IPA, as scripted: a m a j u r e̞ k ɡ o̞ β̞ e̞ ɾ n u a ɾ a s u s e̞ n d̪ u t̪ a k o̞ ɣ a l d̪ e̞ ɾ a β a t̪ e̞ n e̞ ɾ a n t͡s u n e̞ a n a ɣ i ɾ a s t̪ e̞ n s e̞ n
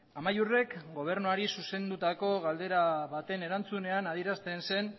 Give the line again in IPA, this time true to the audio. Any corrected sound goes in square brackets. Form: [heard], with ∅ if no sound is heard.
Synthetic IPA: a m a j u r e̞ k ɡ o̞ β̞ e̞ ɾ n u a ɾ [i] s u s e̞ n d̪ u t̪ a k o̞ ɣ a l d̪ e̞ ɾ a β a t̪ e̞ n e̞ ɾ a n t͡s u n e̞ a n a [ð] i ɾ a s t̪ e̞ n s e̞ n